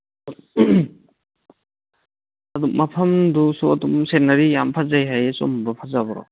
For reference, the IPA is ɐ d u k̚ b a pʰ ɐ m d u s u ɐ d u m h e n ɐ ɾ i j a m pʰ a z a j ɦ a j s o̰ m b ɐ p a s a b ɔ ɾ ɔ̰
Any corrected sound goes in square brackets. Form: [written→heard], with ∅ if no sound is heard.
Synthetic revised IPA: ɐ d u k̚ [b→m] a pʰ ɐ m d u s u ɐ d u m [h→s] e n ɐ ɾ i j a m pʰ a z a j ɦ a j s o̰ m b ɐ [p→pʰ] a [s→z] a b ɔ ɾ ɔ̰